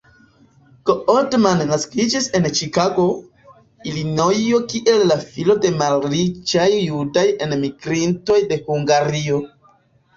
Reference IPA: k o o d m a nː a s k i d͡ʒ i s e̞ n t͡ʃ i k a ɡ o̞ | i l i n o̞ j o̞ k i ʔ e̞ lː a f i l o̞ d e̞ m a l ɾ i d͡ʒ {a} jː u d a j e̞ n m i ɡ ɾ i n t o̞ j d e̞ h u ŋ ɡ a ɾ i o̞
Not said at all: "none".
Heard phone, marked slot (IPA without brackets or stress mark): a